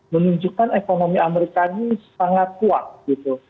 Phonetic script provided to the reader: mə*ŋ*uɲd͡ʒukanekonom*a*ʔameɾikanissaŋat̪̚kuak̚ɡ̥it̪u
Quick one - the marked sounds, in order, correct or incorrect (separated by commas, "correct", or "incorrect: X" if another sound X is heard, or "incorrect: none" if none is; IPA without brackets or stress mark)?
incorrect: n, incorrect: i